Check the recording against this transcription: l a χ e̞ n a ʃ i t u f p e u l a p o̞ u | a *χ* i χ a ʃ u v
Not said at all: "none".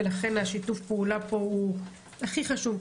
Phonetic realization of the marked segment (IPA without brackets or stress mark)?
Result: χ